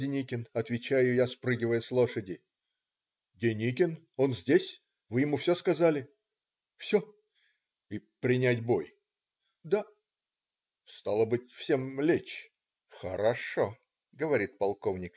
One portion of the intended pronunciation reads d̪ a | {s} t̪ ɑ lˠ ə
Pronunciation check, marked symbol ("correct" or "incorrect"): correct